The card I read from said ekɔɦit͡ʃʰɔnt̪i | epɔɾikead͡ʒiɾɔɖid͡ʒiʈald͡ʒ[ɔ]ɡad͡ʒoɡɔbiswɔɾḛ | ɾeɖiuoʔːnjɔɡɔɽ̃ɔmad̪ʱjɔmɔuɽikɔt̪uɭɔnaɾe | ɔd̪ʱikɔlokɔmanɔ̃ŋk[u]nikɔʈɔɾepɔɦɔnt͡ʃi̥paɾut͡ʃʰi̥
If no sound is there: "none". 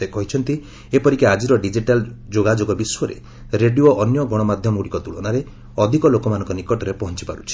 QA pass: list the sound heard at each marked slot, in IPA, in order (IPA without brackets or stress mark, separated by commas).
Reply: o, ɔ